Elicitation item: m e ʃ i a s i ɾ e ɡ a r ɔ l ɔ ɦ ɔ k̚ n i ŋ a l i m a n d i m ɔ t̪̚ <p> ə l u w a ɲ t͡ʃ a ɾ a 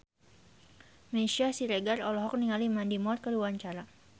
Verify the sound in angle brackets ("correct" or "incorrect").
incorrect